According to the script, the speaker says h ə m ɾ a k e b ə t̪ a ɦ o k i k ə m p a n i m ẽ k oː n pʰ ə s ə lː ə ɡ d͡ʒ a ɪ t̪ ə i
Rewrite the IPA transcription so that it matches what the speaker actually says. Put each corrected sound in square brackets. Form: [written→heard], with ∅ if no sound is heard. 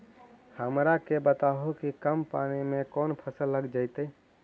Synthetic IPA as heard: h ə m ɾ a k e b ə t̪ a ɦ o k i k ə m p a n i m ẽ k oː n pʰ ə s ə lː ə ɡ d͡ʒ a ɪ t̪ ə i